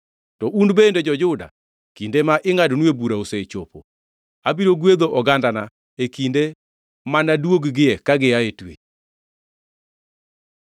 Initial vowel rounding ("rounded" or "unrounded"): rounded